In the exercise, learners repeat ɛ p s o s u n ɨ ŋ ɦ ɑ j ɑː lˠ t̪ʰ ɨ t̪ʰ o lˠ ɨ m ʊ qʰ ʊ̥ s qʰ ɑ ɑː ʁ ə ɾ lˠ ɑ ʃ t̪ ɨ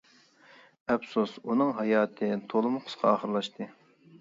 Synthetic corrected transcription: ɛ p s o s u n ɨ ŋ ɦ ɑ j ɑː t̪ʰ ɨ t̪ʰ o lˠ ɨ m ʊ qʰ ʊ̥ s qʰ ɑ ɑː χ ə ɾ lˠ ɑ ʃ t̪ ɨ